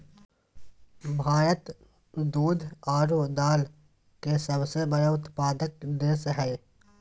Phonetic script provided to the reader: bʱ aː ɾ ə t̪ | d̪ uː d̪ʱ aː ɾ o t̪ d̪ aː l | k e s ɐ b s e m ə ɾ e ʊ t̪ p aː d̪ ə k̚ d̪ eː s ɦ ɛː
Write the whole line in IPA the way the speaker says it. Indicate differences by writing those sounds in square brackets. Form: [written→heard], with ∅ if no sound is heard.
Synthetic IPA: bʱ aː ɾ ə t̪ | d̪ uː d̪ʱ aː ɾ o [t̪→∅] d̪ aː l | k e s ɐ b s e [m→b] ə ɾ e ʊ t̪ p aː d̪ ə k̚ d̪ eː s ɦ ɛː

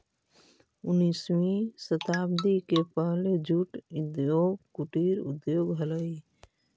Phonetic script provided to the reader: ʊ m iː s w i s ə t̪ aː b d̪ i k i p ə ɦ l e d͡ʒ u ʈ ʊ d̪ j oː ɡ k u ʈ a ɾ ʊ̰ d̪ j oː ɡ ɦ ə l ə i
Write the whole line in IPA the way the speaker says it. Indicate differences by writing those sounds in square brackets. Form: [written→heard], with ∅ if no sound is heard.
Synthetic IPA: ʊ [m→n] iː s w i s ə t̪ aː b d̪ i k [i→e] p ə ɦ l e d͡ʒ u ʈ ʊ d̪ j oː ɡ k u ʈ [a→i] ɾ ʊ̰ d̪ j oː ɡ ɦ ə l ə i

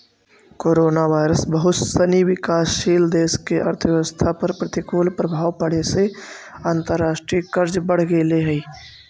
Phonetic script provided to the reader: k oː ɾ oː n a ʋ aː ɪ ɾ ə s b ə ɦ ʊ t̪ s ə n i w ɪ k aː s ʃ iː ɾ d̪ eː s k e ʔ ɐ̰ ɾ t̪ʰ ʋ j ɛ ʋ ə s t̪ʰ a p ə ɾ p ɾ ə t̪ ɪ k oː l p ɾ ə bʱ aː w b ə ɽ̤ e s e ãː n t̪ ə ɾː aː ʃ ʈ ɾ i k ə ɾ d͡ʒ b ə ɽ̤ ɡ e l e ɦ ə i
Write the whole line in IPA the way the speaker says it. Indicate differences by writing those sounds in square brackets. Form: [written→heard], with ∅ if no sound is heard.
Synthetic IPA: k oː ɾ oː n a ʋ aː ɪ ɾ ə s b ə ɦ ʊ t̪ s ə n i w ɪ k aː s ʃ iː [ɾ→l] d̪ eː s k e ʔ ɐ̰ ɾ t̪ʰ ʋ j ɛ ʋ ə s t̪ʰ a p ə ɾ p ɾ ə t̪ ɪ k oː l p ɾ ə bʱ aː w [b→p] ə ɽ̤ e s e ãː n t̪ ə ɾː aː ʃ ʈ ɾ i k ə ɾ d͡ʒ b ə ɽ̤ ɡ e l e ɦ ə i

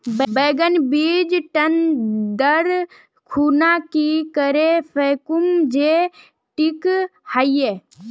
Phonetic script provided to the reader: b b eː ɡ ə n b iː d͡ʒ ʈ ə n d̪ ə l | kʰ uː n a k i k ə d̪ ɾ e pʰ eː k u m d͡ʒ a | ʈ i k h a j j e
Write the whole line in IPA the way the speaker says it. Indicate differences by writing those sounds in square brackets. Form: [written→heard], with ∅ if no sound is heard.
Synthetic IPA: b b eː ɡ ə n b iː d͡ʒ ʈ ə n d̪ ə [l→ɾ] | kʰ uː n a k i k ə [d̪→∅] ɾ e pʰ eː k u m d͡ʒ [a→e] | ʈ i k h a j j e

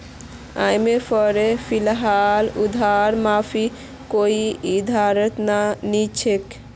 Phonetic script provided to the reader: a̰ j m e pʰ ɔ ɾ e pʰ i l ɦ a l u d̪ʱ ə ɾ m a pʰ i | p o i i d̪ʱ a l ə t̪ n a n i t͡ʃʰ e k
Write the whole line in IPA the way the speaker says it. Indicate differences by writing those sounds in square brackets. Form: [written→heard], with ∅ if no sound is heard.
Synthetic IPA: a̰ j m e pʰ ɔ ɾ e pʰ i l ɦ a l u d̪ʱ [ə→a] ɾ m a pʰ i | [p→k] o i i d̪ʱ a [l→ɾ] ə t̪ n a n i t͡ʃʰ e k

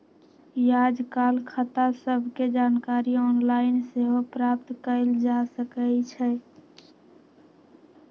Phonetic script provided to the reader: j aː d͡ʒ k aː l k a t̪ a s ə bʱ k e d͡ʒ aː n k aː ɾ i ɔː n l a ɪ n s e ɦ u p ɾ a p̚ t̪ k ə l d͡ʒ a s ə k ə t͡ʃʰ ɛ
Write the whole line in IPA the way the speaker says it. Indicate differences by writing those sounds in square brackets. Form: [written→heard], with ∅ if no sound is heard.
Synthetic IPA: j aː d͡ʒ k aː l [k→kʰ] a t̪ a s ə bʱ k e d͡ʒ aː n k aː ɾ i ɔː n l a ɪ n s e ɦ [u→o] p ɾ a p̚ t̪ k ə l d͡ʒ a s ə k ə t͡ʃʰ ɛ

